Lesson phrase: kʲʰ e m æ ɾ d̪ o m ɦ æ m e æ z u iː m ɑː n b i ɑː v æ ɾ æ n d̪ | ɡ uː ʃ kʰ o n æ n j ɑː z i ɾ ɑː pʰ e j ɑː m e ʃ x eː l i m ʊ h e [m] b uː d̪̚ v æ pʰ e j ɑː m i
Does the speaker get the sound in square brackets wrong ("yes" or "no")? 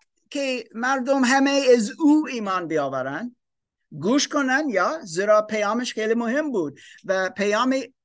no